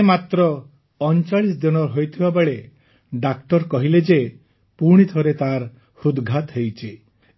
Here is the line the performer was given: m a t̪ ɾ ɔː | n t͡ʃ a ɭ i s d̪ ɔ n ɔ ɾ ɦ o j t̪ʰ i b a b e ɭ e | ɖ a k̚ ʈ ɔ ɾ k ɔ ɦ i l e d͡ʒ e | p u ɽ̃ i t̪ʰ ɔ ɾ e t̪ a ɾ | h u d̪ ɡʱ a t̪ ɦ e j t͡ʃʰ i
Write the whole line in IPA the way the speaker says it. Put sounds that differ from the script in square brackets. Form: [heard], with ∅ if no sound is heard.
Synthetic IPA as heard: m a t̪ ɾ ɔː | n t͡ʃ a ɭ i s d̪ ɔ n ɔ ɾ ɦ o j t̪ʰ i b a b e ɭ e | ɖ a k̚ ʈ ɔ ɾ k ɔ ɦ i l e d͡ʒ e | p u ɽ̃ i t̪ʰ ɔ ɾ e t̪ a ɾ | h u d̪ ɡʱ a t̪ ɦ e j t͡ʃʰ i